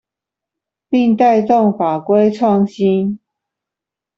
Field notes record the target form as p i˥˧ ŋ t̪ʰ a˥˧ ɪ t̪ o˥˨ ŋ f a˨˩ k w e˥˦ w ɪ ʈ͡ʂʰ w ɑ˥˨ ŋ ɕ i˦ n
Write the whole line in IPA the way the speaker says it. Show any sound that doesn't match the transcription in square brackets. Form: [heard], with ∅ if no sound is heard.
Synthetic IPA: p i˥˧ ŋ [t̪] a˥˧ ɪ t̪ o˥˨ ŋ f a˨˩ k w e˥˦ [∅] ɪ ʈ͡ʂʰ w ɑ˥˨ ŋ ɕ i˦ n